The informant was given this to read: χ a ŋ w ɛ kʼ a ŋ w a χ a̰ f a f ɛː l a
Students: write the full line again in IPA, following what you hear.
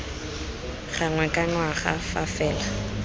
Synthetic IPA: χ a ŋ w ɛ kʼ a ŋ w a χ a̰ f a f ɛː l a